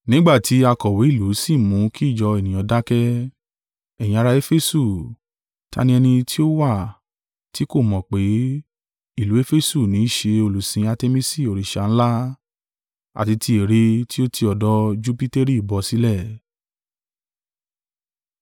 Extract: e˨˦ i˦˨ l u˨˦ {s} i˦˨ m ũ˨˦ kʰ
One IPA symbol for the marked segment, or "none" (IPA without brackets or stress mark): s